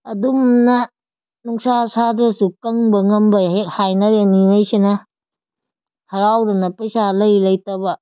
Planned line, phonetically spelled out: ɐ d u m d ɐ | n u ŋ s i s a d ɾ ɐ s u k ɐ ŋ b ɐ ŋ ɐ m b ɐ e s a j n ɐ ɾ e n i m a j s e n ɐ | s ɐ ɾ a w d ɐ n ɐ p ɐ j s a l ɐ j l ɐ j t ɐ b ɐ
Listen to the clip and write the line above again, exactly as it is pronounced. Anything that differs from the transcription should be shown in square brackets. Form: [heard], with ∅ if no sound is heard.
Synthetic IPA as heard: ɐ d u m [n] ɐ | n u ŋ s [a] s a d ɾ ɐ s u k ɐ ŋ b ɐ ŋ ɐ m b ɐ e [h] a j n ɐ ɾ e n i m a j s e n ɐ | [h] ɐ ɾ a w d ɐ n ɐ p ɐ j s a l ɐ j l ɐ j t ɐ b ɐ